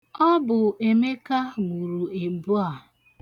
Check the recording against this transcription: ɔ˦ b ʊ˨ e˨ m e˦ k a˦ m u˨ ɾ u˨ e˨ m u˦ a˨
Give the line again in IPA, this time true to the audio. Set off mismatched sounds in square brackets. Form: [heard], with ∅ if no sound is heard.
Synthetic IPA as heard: ɔ˦ b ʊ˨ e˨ m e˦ k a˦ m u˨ ɾ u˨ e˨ [b] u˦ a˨